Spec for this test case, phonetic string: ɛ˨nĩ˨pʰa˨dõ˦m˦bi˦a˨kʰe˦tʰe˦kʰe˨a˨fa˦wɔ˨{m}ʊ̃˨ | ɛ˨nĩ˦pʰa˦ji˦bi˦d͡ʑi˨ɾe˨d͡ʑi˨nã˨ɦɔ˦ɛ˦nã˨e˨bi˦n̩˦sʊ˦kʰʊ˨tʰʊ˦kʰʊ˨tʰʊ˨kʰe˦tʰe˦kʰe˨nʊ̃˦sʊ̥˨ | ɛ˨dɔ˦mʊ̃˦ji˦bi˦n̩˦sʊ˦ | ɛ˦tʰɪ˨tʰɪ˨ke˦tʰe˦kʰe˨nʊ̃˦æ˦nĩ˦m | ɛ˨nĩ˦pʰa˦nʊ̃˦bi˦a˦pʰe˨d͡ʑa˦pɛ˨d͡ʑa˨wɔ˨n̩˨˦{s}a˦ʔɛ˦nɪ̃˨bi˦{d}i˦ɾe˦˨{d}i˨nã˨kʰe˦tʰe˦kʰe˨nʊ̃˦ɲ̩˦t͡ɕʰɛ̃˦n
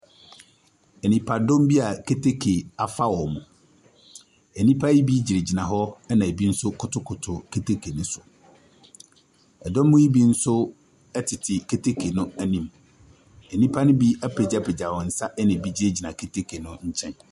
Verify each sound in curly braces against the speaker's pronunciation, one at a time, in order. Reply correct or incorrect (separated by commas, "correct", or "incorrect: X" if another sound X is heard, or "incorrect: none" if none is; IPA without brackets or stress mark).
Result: correct, correct, incorrect: d͡ʑ, incorrect: d͡ʑ